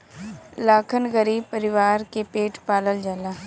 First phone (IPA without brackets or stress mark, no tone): l